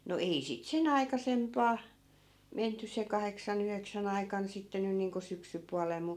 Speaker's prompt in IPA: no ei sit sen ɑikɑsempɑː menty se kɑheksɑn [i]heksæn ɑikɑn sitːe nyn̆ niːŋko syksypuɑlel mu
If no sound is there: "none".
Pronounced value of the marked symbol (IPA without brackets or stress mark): y